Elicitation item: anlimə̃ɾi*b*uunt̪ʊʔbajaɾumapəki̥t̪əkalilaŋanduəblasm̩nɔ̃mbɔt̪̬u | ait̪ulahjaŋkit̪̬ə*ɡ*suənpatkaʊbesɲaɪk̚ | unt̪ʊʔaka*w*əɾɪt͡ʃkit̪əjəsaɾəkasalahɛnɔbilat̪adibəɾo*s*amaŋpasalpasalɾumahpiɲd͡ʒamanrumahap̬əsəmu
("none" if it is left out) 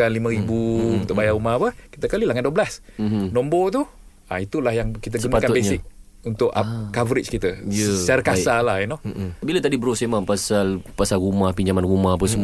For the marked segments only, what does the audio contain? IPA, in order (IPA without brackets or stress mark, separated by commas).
b, ɡ, v, s